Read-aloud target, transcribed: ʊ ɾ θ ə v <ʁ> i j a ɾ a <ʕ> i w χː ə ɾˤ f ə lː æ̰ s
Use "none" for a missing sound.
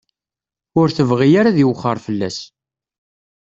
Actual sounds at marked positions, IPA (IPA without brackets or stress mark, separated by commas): ʁ, ð